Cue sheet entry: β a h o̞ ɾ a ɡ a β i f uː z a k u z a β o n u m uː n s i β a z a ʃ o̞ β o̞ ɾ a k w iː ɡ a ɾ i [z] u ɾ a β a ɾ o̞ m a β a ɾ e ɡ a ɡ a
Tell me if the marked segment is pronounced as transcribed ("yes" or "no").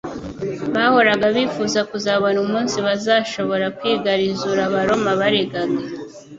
yes